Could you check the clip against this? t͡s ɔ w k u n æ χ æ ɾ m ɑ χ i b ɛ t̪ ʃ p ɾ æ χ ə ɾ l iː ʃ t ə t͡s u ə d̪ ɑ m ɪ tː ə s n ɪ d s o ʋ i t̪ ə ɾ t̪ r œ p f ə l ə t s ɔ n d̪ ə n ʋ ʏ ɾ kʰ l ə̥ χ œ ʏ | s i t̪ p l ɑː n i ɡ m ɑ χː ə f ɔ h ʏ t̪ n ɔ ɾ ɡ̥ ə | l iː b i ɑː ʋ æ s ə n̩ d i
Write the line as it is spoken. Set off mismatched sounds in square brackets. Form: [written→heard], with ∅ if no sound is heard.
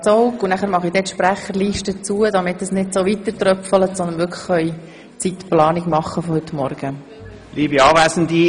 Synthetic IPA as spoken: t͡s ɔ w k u n æ χ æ ɾ m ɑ χ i [b→d] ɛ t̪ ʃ p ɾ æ χ ə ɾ l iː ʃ t ə t͡s u ə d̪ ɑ m ɪ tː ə s n ɪ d s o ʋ i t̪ ə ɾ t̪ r œ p f ə l ə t s ɔ n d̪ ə n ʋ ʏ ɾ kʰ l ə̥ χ œ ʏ | [s→t͡s] i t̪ p l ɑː n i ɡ m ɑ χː ə f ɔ h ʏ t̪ [n→m] ɔ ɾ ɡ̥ ə | l iː b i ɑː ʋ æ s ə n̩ d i